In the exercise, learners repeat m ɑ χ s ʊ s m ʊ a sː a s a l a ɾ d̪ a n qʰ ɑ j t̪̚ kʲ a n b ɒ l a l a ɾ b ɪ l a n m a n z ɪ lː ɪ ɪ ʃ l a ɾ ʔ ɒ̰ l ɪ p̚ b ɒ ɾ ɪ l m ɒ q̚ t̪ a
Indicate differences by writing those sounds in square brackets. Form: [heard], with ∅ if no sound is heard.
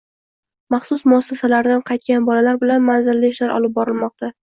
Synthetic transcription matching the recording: m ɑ χ s ʊ s m ʊ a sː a s a l a ɾ d̪ a n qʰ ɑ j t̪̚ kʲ a n b ɒ l a l a ɾ b ɪ l a n m a n z ɪ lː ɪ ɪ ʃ l a ɾ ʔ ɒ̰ l ɪ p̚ b ɒ ɾ ɪ l m ɒ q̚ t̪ a